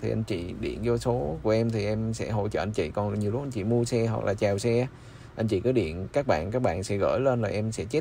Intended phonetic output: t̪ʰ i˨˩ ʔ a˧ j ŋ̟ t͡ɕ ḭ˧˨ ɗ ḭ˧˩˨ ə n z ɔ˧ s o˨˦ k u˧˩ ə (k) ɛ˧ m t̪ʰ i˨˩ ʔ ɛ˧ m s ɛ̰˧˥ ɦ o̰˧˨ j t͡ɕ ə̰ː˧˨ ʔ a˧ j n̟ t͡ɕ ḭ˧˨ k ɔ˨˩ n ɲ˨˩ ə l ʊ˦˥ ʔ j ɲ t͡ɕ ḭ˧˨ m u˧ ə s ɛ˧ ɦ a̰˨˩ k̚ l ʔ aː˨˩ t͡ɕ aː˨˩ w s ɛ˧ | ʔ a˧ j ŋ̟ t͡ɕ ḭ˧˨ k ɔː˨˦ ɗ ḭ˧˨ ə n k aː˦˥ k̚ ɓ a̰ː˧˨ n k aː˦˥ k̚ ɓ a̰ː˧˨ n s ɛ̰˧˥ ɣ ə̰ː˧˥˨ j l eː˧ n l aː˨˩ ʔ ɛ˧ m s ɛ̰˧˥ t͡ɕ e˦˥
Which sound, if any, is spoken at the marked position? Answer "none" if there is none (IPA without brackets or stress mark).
ʔ